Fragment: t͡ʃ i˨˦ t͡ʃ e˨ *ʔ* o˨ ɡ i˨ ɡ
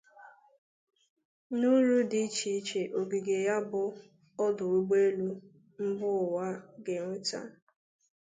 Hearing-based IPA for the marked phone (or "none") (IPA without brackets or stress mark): ʔ